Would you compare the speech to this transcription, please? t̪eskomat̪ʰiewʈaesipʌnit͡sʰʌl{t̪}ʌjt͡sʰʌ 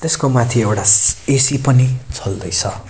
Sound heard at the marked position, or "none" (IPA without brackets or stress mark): d̪